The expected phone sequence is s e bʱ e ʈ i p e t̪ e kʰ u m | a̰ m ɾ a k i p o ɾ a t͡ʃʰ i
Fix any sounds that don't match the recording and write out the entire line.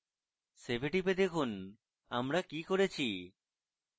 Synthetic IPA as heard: s e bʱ e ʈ i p e d̪ e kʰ u n | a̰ m ɾ a k i k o ɾ e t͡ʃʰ i